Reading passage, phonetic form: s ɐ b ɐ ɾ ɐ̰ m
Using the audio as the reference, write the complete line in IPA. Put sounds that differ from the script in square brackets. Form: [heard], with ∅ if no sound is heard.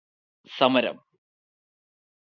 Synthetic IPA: s ɐ [m] ɐ ɾ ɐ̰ m